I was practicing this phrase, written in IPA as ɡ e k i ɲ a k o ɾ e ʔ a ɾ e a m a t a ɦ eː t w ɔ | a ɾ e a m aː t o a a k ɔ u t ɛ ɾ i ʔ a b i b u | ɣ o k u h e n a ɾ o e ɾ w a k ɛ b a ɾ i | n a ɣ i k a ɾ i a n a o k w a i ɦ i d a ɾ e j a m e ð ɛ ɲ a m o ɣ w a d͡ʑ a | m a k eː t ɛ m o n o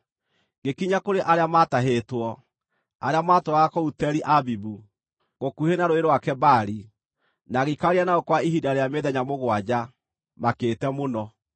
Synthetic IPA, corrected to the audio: ɡ e k i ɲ a k o ɾ e ʔ a ɾ e a m a t a ɦ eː t w ɔ | a ɾ e a m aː t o a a k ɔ u t ɛ ɾ i ʔ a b i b u | ɣ o k u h e n a ɾ o e ɾ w a k ɛ b a ɾ i | n a ɣ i k a ɾ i a n a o k w a i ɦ i d a ɾ e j a m e ð ɛ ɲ a m o ɣ w a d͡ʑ a | m a k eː t ɛ m o n ɔ

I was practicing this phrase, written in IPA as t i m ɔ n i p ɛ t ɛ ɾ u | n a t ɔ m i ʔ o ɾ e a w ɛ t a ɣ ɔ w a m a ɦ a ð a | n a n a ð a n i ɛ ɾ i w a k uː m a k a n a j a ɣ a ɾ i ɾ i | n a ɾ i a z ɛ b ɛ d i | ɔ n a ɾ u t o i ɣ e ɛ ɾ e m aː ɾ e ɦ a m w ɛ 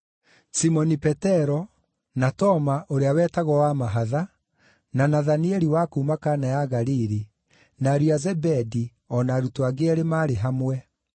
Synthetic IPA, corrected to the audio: s i m ɔ n i p ɛ t ɛ ɾ ɔ | n a t ɔ m a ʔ o ɾ e a w ɛ t a ɣ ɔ w a m a ɦ a ð a | n a n a ð a n i ɛ ɾ i w a k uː m a k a n a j a ɣ a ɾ i ɾ i | n a ɾ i a z ɛ b ɛ d i | ɔ n a ɾ u t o a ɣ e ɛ ɾ e m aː ɾ e ɦ a m w ɛ

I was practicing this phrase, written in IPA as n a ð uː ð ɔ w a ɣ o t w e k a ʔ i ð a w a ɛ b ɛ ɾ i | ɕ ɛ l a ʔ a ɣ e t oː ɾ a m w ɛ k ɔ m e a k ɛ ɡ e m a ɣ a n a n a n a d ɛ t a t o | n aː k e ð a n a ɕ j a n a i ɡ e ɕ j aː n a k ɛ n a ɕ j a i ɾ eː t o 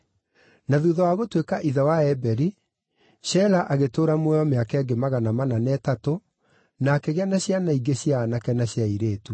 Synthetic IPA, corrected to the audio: n a ð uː ð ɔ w a ɣ o t w e k a ʔ i ð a w a ɛ b ɛ ɾ i | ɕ ɛ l a ʔ a ɣ e t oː ɾ a m w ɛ ɔ m e a k ɛ ɡ e m a ɣ a n a m a n a n ɛ t a t o | n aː k e ɣ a n a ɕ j a n a i ɡ e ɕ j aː n a k ɛ n a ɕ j a i ɾ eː t u

